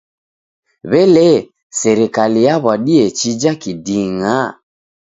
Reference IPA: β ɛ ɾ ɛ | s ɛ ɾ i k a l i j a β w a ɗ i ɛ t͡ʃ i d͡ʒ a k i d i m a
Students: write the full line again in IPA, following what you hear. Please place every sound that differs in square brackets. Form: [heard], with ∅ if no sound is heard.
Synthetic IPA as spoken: β ɛ [l] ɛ | s ɛ ɾ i k a l i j a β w a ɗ i ɛ t͡ʃ i d͡ʒ a k i d i [ŋ] a